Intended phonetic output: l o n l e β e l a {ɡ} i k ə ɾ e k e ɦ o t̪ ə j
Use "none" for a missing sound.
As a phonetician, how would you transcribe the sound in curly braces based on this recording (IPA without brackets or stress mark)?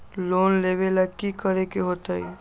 k